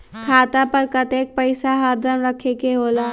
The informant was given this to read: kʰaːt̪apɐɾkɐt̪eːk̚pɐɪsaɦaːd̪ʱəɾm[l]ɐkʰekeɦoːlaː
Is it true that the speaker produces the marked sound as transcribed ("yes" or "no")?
no